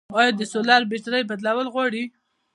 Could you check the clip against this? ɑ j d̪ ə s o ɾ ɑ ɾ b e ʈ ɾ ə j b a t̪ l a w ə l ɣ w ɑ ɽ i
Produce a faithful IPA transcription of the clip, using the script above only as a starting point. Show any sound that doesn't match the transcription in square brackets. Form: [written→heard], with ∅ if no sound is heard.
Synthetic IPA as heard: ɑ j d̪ ə s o [ɾ→l] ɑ ɾ b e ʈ ɾ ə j b a [t̪→d̪] l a w ə l ɣ w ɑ ɽ i

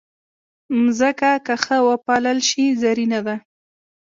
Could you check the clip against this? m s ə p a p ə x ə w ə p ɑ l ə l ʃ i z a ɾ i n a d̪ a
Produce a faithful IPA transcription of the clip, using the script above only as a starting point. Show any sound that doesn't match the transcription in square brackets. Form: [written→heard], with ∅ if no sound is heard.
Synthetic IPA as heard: m [s→z] ə [p→k] a [p→k] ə x ə w ə p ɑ l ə l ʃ i z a ɾ i n a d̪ a

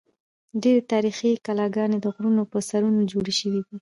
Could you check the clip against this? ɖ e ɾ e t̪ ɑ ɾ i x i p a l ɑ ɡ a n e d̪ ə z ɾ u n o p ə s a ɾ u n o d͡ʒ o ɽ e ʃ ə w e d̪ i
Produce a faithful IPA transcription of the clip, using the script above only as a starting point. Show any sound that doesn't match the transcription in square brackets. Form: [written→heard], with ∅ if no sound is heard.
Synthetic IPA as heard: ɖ e ɾ e t̪ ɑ ɾ i x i [p→k] a l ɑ ɡ [a→ɑ] n e d̪ ə [z→ɣ] ɾ u n o p ə s a ɾ u n o d͡ʒ o ɽ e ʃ ə w [e→i] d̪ i

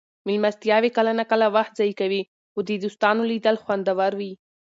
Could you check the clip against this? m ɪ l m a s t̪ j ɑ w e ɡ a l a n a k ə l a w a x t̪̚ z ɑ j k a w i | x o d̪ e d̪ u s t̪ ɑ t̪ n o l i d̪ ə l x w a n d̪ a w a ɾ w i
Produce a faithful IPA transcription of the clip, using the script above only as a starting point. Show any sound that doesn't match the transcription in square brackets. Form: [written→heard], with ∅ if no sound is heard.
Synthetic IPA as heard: m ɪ l m a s t̪ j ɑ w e [ɡ→k] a l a n a k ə l a w a x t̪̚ z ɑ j k a w i | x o d̪ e d̪ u s t̪ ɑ [t̪→∅] n o l i d̪ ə l x w a n d̪ a w a ɾ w i

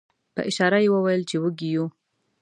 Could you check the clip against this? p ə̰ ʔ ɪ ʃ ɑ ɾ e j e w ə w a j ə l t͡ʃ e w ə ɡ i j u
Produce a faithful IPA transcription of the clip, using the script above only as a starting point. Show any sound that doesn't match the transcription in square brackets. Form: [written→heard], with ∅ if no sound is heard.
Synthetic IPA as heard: p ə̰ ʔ ɪ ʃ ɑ ɾ [e→a] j e w ə w a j ə l t͡ʃ e w ə ɡ i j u

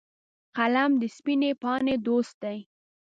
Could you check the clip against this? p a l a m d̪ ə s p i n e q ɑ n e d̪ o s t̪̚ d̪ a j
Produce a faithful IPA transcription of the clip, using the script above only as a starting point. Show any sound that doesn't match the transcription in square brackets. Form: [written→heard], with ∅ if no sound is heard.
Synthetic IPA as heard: [p→q] a l a m d̪ ə s p i n e [q→p] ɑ n e d̪ o s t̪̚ d̪ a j

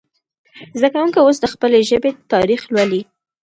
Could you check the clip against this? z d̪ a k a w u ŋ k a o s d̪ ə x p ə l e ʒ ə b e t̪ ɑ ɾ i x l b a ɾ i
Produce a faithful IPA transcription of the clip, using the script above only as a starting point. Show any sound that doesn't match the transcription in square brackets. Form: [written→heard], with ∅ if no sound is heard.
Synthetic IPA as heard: z d̪ a k a w u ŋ k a o s d̪ ə x p ə l e ʒ ə b e t̪ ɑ ɾ i x l [b→w] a [ɾ→l] i

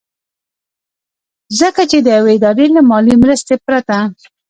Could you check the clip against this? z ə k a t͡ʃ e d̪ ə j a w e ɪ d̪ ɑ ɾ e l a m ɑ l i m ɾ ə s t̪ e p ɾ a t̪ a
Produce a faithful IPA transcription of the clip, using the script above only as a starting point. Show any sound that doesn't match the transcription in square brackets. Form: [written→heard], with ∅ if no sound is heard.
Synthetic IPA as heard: z ə k a t͡ʃ e d̪ ə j a w e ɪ d̪ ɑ ɾ e l a m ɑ l i m ɾ ə s t̪ e p ɾ a t̪ a

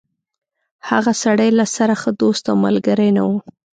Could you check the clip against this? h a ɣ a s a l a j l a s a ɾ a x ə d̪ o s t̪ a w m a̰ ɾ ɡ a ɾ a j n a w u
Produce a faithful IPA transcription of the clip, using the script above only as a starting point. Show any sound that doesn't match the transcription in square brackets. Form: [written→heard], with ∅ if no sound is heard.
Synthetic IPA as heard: h a ɣ a s a [l→ɽ] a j l a s a ɾ a x ə d̪ o s t̪ a w m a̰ [ɾ→l] ɡ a ɾ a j n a w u

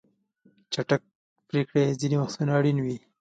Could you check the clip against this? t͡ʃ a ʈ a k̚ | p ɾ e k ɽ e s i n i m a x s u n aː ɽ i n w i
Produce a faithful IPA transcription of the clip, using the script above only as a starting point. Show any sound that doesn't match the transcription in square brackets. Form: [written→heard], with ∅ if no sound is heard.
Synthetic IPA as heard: t͡ʃ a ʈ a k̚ | p ɾ e k ɽ e [s→z] i n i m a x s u n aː ɽ i n w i

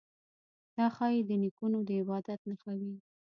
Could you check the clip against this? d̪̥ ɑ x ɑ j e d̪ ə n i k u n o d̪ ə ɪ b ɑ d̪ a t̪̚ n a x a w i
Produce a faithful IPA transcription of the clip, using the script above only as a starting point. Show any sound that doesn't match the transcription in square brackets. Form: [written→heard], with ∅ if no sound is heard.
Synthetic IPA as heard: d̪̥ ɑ x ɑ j e d̪ ə n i k u n o d̪ ə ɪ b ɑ d̪ a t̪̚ n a x a w i

